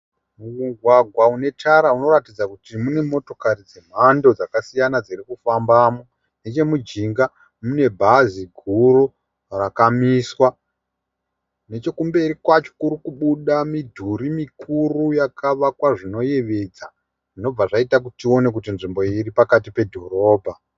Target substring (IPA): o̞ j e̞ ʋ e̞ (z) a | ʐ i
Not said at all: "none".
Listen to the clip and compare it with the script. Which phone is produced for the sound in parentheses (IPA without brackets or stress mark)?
d͡z